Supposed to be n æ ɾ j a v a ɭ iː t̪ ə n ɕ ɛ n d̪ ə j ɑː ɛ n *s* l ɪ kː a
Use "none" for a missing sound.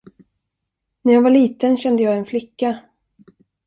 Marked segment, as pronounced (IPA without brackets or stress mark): f